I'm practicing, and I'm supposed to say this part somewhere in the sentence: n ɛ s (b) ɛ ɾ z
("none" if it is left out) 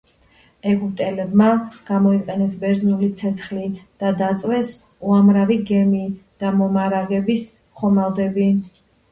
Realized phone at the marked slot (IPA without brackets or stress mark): b